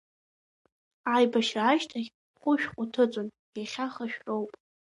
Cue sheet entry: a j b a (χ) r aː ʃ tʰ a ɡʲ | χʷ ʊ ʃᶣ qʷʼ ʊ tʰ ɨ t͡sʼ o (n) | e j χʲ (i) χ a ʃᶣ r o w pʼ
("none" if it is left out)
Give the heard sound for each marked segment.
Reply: ʃ, n, a

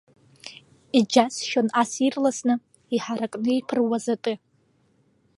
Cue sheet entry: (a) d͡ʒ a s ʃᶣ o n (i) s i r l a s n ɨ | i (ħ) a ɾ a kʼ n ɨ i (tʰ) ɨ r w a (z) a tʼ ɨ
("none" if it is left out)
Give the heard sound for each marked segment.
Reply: i, a, ħ, pʰ, z

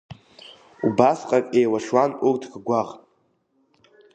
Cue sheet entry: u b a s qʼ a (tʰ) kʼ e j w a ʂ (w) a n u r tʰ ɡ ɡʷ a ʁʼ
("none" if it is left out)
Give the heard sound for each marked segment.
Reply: none, w

